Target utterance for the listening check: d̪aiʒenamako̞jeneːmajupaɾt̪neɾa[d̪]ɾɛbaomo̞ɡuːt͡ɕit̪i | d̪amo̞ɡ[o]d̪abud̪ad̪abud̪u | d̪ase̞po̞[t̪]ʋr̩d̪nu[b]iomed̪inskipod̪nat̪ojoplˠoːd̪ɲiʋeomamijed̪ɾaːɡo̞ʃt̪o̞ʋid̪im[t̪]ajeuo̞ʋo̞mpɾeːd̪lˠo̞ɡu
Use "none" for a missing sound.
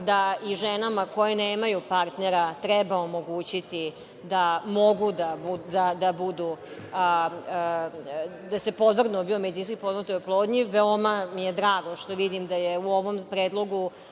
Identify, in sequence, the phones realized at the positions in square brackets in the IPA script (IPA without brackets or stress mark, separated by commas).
t̪, u, d̪, b, d̪